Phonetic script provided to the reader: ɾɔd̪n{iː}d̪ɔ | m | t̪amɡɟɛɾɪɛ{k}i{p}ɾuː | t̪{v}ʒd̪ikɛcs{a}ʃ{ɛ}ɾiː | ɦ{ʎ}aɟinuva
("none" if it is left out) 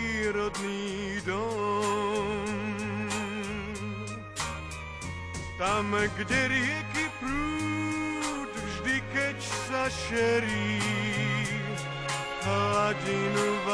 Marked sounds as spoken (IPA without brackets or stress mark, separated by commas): iː, k, p, v, a, ɛ, l